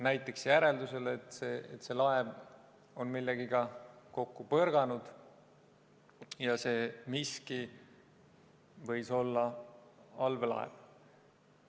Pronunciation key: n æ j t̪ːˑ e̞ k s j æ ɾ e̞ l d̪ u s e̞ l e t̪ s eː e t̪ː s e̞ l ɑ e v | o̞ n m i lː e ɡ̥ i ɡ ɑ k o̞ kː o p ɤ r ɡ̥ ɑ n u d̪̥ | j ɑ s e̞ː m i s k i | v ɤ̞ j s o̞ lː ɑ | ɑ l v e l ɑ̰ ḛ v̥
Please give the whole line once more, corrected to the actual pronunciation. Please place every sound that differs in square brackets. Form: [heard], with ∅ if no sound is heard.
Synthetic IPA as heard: n æ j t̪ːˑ e̞ k s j æ ɾ e̞ l d̪ u s e̞ l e t̪ s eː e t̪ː s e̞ l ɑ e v | o̞ n m i lː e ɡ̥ i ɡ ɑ k o̞ kː [u] p ɤ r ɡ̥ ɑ n u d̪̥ | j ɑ s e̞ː m i s k i | v ɤ̞ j s o̞ lː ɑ | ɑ l v e l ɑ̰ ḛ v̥